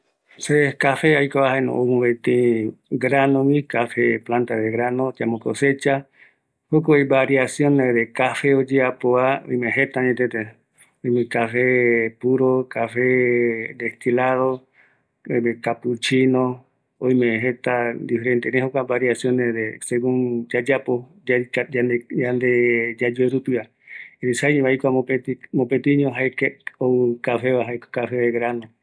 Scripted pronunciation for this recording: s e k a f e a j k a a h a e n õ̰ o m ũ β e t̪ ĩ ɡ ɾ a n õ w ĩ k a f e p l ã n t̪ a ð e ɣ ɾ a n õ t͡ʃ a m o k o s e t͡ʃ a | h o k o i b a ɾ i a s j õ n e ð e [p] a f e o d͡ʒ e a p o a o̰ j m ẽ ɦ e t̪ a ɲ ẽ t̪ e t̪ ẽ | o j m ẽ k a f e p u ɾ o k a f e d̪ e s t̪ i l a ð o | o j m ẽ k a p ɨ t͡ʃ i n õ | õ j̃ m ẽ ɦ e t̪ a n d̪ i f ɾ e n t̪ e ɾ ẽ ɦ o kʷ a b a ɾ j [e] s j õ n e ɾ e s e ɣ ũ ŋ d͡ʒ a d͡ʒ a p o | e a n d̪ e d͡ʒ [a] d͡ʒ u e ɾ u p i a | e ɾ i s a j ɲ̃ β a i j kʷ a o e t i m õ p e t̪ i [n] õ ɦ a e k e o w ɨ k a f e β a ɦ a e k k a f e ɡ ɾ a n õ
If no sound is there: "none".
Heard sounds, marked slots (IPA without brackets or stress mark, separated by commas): k, a, a, ɲ